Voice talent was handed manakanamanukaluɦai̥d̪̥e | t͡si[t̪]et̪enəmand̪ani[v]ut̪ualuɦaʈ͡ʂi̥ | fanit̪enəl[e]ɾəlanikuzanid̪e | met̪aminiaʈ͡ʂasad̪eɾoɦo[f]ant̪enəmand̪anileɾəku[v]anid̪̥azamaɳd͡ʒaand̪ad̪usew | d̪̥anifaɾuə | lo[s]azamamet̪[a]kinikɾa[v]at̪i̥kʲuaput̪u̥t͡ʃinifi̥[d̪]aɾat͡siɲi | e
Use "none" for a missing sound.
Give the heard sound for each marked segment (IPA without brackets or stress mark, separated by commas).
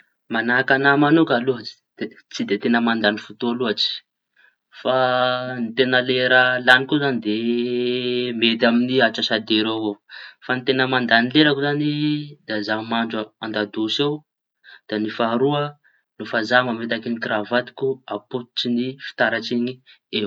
d̪, f, e, f, z, f, a, v, t̪